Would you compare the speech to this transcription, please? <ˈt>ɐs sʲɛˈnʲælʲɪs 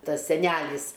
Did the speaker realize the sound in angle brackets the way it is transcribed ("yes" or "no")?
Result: yes